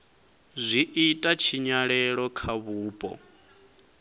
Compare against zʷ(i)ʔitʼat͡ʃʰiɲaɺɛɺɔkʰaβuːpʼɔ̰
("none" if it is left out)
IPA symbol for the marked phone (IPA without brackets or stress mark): i